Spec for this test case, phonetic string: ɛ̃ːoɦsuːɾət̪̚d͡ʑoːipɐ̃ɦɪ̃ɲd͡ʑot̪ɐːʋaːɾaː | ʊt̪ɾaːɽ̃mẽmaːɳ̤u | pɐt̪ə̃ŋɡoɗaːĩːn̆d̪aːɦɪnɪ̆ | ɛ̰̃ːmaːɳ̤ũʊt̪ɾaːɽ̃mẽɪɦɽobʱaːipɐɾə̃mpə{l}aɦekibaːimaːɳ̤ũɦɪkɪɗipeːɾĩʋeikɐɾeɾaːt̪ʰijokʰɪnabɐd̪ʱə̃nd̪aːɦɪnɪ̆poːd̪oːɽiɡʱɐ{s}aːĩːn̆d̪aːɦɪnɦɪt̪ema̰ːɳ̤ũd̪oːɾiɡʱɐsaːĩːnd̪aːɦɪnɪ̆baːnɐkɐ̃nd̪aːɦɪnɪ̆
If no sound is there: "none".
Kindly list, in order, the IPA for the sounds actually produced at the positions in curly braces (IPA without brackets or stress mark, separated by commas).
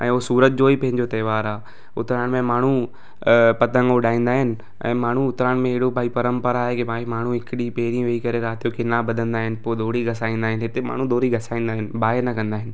ɾ, s